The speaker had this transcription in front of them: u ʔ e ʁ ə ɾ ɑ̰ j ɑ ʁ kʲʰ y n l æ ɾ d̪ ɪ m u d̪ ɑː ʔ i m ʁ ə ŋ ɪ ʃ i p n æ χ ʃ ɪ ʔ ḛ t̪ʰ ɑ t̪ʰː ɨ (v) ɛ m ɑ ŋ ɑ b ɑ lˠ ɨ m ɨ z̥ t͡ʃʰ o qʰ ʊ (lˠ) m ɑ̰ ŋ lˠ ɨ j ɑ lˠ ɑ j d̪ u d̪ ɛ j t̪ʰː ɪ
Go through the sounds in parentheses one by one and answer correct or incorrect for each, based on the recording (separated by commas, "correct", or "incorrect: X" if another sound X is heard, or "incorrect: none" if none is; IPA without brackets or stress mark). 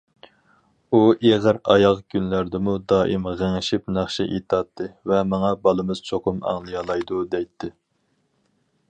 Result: correct, incorrect: none